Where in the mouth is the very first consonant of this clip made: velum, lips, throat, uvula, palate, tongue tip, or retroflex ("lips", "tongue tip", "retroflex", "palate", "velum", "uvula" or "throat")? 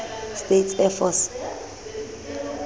tongue tip